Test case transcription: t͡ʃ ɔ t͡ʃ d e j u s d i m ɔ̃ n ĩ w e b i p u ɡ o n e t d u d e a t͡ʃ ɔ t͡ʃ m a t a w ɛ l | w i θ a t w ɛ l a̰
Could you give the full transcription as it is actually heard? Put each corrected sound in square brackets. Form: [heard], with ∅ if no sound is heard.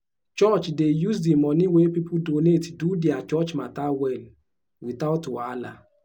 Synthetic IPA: t͡ʃ ɔ t͡ʃ d e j u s d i m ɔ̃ n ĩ w e [p] i p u [d] o n e t d u d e a t͡ʃ ɔ t͡ʃ m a t a w ɛ l | w i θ a t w [a] l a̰